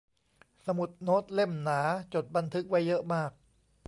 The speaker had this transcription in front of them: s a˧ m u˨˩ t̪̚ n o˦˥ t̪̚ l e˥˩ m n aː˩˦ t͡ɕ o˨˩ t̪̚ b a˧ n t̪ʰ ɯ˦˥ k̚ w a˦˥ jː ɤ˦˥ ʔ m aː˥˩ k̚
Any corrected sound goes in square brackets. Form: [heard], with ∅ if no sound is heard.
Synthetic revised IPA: s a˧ m u˨˩ t̪̚ n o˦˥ t̪̚ l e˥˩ m n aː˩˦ t͡ɕ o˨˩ t̪̚ b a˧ n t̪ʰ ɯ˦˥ k̚ w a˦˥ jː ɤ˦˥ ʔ m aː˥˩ k̚

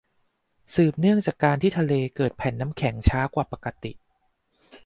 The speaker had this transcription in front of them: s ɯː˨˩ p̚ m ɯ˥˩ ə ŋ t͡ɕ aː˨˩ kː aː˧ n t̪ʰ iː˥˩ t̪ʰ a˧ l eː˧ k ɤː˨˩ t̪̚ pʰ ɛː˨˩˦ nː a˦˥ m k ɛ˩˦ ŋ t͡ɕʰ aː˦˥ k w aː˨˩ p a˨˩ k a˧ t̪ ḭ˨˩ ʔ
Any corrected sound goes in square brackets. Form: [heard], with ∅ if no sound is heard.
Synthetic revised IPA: s ɯː˨˩ p̚ [n] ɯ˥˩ ə ŋ t͡ɕ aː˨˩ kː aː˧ n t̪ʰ iː˥˩ t̪ʰ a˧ l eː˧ k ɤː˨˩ t̪̚ pʰ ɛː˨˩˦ nː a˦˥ m [kʰ] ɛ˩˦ ŋ t͡ɕʰ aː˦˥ k w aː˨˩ p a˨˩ k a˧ t̪ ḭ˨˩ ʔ

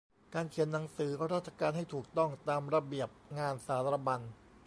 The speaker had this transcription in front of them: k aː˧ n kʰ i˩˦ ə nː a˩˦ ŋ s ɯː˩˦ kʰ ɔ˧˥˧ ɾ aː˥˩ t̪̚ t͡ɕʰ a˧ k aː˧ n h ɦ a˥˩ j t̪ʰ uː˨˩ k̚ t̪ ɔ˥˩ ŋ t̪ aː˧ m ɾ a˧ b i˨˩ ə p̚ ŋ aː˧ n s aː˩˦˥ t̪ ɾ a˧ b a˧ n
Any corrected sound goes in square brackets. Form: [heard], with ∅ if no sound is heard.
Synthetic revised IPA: k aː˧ n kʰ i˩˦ ə nː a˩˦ ŋ s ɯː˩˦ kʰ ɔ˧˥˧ ɾ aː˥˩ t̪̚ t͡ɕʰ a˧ k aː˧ n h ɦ a˥˩ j t̪ʰ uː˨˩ k̚ t̪ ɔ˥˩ ŋ t̪ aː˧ m ɾ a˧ b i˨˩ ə p̚ ŋ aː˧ n s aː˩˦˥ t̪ ɾ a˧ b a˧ n

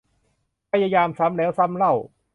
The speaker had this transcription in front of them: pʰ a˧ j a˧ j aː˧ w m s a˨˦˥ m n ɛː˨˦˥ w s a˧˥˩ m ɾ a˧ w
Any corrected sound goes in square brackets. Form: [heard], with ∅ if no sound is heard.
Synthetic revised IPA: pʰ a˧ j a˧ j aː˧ [∅] m s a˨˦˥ m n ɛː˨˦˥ w s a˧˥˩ m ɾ [a˥˩] w

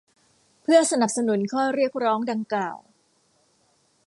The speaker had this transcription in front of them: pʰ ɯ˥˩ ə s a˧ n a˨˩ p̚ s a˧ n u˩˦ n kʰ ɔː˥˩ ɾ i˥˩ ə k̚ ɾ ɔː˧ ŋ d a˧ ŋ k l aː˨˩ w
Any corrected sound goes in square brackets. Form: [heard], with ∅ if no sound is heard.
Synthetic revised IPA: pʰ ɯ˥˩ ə s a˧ n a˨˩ p̚ s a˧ n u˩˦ n kʰ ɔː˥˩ ɾ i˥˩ ə k̚ ɾ [ɔː˦˥] ŋ d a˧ ŋ k l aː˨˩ w

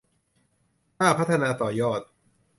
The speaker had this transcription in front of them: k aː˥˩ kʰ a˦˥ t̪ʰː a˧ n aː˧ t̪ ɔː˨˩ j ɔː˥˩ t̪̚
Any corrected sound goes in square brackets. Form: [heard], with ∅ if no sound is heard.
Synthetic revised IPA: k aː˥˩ [pʰ] a˦˥ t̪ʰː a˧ n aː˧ t̪ ɔː˨˩ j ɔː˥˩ t̪̚

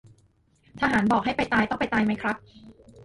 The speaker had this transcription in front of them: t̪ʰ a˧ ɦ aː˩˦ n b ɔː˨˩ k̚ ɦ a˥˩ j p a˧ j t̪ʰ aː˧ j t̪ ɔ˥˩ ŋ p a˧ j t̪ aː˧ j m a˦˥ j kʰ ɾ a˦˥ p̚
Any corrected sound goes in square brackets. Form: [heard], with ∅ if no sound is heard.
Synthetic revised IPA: t̪ʰ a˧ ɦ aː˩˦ n b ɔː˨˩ k̚ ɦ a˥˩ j p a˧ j [t̪] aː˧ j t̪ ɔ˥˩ ŋ p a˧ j t̪ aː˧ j m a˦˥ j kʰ ɾ a˦˥ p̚

